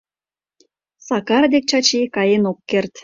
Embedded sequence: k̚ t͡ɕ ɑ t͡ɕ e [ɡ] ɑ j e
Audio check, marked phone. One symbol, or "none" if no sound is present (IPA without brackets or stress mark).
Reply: k